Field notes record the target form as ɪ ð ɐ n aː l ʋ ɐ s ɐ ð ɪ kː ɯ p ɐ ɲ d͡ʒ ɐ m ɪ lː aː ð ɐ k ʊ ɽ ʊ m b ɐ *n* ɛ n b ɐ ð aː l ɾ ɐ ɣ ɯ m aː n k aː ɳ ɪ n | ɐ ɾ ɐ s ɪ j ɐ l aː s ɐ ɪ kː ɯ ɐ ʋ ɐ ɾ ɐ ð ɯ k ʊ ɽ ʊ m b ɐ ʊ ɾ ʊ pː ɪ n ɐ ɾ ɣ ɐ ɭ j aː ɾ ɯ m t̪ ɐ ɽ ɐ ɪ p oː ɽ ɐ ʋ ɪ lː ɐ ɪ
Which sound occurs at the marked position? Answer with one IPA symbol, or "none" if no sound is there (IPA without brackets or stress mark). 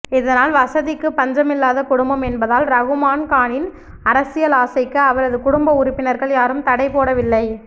m